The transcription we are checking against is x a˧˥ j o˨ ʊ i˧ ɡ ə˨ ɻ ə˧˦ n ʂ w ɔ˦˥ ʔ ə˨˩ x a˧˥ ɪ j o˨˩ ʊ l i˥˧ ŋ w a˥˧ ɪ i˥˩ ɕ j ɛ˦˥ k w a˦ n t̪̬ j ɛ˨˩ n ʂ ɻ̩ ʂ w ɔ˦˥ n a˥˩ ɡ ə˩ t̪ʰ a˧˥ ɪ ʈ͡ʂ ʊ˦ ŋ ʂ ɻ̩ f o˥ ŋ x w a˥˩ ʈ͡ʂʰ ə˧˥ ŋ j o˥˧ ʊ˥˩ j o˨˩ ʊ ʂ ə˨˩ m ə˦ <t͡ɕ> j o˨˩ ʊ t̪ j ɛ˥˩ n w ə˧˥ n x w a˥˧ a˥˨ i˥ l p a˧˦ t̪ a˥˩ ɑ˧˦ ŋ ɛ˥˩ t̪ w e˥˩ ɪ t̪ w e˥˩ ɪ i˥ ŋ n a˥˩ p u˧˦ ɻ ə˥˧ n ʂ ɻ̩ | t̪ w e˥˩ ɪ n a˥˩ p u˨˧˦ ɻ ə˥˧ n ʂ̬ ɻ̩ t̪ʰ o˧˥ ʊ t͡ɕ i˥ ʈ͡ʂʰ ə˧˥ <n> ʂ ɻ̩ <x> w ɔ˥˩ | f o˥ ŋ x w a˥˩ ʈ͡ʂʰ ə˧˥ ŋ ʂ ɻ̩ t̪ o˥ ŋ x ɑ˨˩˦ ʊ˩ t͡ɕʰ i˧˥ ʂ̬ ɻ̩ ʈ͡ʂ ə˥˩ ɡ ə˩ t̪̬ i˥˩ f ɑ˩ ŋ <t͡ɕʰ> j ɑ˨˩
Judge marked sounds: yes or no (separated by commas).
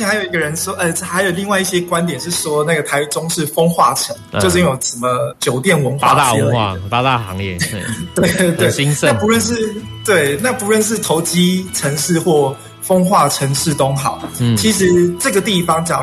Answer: yes, no, yes, no